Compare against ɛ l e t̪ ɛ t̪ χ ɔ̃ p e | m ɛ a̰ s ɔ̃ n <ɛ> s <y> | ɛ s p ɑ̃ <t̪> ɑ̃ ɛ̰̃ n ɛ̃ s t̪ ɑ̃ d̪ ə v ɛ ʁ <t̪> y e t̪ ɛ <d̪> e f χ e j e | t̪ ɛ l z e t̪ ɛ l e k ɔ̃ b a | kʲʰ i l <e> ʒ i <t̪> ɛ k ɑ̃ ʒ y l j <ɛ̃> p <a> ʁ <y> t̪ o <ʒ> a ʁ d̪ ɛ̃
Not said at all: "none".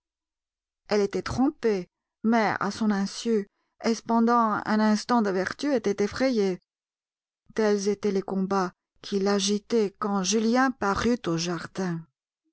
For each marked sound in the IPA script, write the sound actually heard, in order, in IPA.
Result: ɛ̃, y, d̪, t̪, t̪, a, t̪, ɛ̃, a, y, ʒ

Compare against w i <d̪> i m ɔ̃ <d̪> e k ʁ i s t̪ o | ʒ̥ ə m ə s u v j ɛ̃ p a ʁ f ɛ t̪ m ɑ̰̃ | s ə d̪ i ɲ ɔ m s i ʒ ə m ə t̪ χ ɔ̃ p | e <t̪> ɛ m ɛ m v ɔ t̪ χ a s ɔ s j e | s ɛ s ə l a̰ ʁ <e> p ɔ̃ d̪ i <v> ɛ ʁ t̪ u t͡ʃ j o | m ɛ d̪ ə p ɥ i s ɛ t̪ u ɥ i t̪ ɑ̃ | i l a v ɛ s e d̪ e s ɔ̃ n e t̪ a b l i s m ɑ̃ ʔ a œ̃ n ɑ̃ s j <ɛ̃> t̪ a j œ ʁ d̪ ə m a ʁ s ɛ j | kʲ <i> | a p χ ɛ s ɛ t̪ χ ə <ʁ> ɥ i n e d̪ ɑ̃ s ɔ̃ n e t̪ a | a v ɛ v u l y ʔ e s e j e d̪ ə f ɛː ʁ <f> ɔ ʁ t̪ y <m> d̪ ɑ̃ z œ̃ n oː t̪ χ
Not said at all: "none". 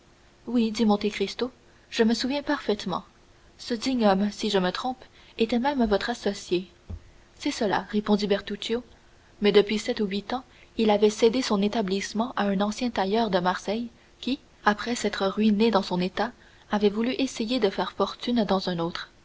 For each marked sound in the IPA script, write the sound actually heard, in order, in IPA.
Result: d̪, t̪, t̪, e, b, ɛ̃, i, ʁ, f, n

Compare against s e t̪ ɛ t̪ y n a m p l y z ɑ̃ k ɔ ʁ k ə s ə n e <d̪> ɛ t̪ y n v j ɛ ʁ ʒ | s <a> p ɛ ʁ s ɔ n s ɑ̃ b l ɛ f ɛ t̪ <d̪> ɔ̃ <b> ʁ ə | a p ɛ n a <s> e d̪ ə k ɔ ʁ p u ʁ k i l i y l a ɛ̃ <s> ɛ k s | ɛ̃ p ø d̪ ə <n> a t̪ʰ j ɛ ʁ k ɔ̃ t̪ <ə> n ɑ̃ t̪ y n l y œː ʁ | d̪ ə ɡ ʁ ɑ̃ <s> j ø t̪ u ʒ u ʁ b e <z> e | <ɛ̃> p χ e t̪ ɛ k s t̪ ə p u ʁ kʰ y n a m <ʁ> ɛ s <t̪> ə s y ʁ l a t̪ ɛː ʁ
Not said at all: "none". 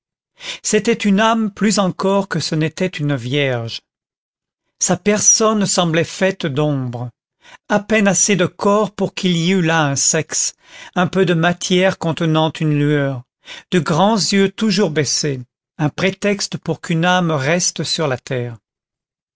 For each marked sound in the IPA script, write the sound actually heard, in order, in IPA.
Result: t̪, a, d̪, b, s, s, m, ə, z, s, ɛ̃, ʁ, t̪

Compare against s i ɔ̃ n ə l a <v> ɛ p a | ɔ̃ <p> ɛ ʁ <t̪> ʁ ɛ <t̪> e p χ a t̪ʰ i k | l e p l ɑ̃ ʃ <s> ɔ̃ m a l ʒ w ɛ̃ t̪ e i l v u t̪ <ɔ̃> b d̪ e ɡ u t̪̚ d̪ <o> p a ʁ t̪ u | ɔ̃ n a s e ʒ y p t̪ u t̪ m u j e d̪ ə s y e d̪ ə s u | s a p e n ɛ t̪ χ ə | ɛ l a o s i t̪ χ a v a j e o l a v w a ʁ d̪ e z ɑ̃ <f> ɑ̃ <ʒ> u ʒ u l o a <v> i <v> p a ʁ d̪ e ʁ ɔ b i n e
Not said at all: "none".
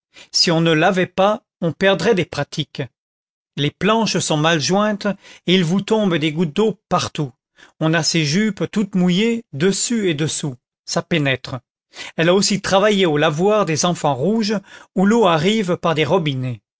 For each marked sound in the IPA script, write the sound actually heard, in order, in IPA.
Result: v, p, d̪, d̪, s, ɔ̃, o, f, ʁ, ʁ, v

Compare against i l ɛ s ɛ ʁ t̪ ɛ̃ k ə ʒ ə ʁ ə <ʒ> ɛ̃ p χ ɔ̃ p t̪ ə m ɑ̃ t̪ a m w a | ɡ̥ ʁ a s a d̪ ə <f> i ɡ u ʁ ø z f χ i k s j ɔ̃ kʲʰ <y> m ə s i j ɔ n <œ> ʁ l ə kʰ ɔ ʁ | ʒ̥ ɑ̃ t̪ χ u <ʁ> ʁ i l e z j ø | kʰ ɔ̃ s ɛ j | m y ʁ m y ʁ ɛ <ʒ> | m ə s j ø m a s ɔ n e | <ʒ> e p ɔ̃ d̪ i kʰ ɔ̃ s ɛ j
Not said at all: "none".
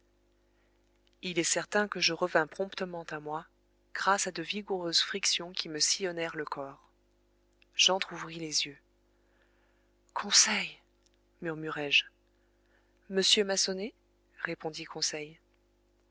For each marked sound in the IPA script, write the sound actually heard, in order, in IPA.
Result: v, v, i, ɛ, v, ʒ, ʁ

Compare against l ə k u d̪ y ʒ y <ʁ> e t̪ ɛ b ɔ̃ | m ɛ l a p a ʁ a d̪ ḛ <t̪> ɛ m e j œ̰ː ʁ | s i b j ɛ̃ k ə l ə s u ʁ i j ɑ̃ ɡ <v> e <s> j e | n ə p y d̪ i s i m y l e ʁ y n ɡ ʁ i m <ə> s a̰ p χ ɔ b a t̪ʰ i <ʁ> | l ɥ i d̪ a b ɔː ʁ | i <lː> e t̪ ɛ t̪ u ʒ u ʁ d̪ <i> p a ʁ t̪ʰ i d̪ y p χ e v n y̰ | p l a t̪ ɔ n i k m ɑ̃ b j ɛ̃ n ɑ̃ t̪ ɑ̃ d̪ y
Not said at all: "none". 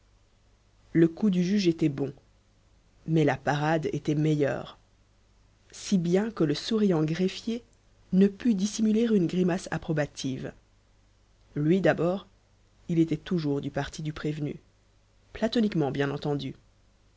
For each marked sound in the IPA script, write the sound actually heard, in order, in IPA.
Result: ʒ, t̪, ʁ, f, a, v, l, y

